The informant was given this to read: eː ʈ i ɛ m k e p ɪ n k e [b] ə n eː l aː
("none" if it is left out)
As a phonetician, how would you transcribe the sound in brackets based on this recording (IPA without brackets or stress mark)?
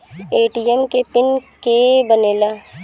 b